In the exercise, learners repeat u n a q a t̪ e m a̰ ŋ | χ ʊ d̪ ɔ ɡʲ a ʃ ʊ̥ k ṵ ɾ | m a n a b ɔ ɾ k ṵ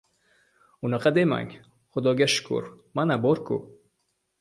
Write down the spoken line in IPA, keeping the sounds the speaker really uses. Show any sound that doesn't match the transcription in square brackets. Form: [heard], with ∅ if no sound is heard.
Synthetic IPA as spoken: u n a q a [d̪] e m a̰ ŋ | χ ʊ d̪ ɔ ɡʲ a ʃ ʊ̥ k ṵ ɾ | m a n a b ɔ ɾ k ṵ